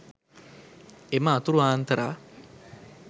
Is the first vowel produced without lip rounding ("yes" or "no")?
yes